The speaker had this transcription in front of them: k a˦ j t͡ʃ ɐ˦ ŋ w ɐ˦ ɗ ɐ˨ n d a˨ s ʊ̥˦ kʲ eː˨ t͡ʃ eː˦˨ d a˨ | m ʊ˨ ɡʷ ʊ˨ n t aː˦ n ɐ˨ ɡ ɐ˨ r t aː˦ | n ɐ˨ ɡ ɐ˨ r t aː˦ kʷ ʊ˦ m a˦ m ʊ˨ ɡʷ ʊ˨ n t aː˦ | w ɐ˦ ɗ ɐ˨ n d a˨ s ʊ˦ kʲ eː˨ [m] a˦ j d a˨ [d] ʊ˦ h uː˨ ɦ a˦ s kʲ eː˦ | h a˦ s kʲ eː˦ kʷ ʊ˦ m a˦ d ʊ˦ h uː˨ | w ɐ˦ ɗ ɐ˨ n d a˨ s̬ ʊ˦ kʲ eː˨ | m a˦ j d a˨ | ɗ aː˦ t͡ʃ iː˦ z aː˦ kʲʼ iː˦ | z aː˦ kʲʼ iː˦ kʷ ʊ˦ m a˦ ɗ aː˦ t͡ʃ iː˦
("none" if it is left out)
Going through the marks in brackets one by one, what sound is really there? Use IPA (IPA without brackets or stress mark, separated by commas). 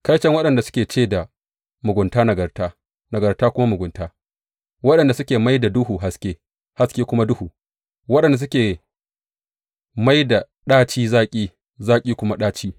m, d